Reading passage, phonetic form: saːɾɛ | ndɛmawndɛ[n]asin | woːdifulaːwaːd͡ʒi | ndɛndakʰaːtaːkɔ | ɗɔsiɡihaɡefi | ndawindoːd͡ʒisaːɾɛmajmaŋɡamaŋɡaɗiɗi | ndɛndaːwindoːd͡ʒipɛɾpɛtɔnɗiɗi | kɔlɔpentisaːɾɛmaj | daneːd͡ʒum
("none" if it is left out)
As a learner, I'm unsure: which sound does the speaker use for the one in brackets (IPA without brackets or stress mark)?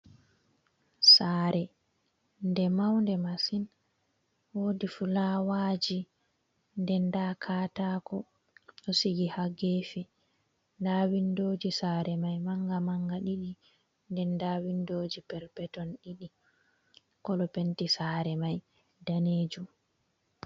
m